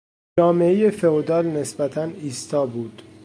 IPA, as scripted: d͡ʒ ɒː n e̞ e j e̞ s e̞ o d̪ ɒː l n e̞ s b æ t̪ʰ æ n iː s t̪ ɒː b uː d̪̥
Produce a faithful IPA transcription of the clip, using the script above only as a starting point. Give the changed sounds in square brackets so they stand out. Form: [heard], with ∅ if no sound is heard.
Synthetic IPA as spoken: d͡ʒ ɒː [m] e̞ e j e̞ [f] e̞ o d̪ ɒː l n e̞ s b æ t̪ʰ æ n iː s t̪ ɒː b uː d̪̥